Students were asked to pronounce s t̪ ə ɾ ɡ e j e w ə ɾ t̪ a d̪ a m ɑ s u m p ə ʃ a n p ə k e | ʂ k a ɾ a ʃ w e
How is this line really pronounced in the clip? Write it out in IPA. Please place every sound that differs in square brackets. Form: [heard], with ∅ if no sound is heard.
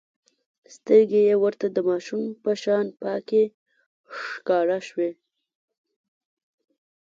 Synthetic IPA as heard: s t̪ ə ɾ ɡ e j e w ə ɾ t̪ a d̪ [ə] m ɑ [ʃ] u m p ə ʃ [ɑ] n p [ɑ] k e | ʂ k [ɑ] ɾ a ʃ w e